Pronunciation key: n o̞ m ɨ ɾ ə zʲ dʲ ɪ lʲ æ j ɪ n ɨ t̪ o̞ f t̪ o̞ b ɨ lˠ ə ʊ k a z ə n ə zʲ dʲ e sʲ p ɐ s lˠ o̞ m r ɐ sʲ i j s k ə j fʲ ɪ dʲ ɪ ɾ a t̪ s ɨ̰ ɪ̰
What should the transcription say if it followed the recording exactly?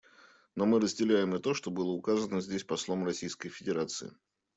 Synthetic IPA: n o̞ m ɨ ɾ ə zʲ dʲ ɪ lʲ æ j ɪ m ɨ t̪ o̞ ʂ t̪ o̞ b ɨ lˠ ə ʊ k a z ə n ə zʲ dʲ e sʲ p ɐ s lˠ o̞ m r ɐ sʲ i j s k ə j fʲ ɪ dʲ ɪ ɾ a t̪ s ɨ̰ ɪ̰

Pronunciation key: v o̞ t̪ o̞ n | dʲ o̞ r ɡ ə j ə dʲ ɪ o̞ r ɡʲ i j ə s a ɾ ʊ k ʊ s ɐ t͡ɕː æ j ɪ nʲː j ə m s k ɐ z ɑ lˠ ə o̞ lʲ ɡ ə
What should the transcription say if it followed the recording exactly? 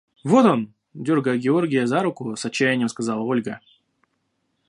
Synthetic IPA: v o̞ t̪ o̞ n | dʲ o̞ r ɡ ə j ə ɡʲ ɪ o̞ r ɡʲ ɪ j ə z a ɾ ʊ k ʊ s ɐ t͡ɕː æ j ɪ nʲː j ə m s k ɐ z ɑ lˠ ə o̞ lʲ ɡ ə

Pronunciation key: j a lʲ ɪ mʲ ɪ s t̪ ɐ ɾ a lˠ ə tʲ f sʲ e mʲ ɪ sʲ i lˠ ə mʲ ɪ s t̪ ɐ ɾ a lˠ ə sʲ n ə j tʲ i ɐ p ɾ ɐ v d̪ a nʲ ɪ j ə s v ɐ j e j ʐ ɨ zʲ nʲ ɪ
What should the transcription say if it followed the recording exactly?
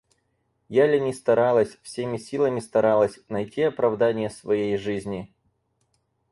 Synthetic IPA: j a lʲ ɪ nʲ ɪ s t̪ ɐ ɾ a lˠ ə sʲ f sʲ e mʲ ɪ sʲ i lˠ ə mʲ ɪ s t̪ ɐ ɾ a lˠ ə sʲ n ɐ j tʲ i ɐ p ɾ ɐ v d̪ a nʲ ɪ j ə s v ɐ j e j ʐ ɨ zʲ nʲ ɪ

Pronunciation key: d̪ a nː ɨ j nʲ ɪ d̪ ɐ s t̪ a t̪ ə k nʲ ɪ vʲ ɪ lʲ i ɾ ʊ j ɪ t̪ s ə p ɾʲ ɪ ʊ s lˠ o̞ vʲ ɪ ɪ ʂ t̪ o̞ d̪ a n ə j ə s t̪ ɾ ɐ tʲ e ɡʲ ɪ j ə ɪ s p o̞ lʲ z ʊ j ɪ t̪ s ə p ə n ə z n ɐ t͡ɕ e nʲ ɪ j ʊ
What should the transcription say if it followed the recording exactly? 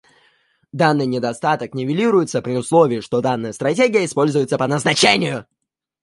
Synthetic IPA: d̪ a nː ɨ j nʲ ɪ d̪ ɐ s t̪ a t̪ ə k nʲ ɪ vʲ ɪ lʲ i ɾ ʊ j ɪ t̪ s ə p ɾʲ ɪ ʊ s lˠ o̞ vʲ ɪ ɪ ʂ t̪ o̞ d̪ a nː ə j ə s t̪ ɾ ɐ tʲ e ɡʲ ɪ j ə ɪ s p o̞ lʲ z ʊ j ɪ t̪ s ə p ə n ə z n ɐ t͡ɕ e nʲ ɪ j ʊ

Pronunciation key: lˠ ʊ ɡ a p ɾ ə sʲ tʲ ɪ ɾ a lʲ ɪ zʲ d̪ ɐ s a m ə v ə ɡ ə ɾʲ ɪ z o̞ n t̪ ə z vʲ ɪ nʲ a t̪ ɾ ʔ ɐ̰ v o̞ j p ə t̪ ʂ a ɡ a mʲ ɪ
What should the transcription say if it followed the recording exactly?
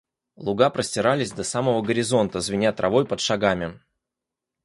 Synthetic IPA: lˠ ʊ ɡ a p ɾ ə sʲ tʲ ɪ ɾ a lʲ ɪ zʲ d̪ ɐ s a m ə v ə ɡ ə ɾʲ ɪ z o̞ n t̪ ə z vʲ ɪ nʲ a t̪ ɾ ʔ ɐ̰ v o̞ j p ə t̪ ʂ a ɡ a mʲ ɪ

